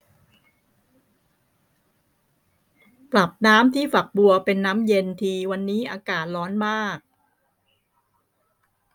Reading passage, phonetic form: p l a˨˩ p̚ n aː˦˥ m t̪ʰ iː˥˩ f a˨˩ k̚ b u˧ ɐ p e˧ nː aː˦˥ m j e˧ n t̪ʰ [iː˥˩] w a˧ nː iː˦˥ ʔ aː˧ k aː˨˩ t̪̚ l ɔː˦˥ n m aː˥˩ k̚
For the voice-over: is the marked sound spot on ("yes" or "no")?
no